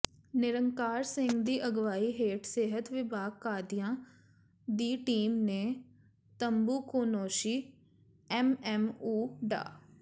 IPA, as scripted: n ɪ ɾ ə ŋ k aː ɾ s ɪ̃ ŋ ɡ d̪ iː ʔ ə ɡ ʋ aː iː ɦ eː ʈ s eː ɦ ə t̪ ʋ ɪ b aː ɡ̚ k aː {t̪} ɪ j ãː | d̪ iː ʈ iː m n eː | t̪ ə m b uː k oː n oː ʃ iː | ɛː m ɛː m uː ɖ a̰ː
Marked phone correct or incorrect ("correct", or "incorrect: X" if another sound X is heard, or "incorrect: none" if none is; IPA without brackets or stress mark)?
incorrect: d̪